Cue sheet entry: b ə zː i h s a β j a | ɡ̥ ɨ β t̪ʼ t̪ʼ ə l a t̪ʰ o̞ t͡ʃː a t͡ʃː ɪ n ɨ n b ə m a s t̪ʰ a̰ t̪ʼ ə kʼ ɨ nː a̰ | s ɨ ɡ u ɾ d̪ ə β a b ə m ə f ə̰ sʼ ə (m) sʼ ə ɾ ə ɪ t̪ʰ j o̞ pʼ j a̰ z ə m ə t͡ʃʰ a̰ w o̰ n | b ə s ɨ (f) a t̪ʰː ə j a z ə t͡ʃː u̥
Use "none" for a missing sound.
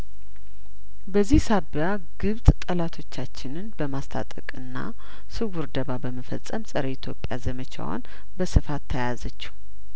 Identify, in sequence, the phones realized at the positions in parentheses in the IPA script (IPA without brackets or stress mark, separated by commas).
m, f